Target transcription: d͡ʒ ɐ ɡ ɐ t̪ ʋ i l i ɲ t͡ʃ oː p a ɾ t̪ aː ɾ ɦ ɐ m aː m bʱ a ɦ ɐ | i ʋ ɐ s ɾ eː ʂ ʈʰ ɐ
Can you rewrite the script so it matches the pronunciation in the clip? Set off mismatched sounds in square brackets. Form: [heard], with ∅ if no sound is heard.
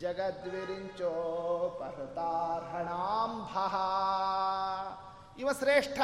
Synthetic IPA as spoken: d͡ʒ ɐ ɡ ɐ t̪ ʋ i [ɾ] i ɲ t͡ʃ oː p [ɐ] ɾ t̪ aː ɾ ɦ ɐ [ɳ] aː m bʱ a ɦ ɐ | i ʋ ɐ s ɾ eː ʂ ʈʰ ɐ